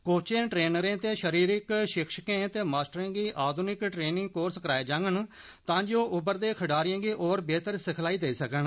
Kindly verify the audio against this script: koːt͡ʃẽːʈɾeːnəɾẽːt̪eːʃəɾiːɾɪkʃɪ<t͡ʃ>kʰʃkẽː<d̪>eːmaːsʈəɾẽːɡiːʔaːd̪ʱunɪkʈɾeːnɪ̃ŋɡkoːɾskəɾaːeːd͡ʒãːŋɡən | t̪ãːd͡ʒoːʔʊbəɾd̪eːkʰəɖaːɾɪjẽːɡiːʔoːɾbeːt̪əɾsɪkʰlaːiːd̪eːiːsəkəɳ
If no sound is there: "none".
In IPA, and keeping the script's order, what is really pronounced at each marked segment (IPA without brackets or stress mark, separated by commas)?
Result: none, t̪